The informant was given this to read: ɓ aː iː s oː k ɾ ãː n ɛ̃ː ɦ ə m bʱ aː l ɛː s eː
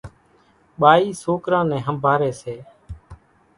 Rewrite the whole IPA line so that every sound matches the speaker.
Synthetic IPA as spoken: ɓ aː iː s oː k ɾ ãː n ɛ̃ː ɦ ə m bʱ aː ɾ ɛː s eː